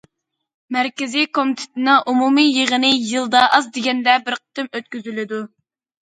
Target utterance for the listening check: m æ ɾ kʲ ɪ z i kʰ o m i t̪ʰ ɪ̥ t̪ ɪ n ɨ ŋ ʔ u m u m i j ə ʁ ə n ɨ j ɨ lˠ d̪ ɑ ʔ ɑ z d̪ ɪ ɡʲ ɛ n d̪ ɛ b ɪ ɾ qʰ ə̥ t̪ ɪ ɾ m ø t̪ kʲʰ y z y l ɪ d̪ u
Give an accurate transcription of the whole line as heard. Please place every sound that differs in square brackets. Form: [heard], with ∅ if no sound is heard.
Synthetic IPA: m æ ɾ kʲ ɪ z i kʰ o m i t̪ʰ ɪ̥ t̪ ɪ n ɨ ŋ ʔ u m u m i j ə ʁ ə n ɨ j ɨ lˠ d̪ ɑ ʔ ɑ z d̪ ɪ ɡʲ ɛ n d̪ ɛ b ɪ ɾ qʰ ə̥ t̪ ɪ [∅] m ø t̪ [kʲ] y z y l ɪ d̪ u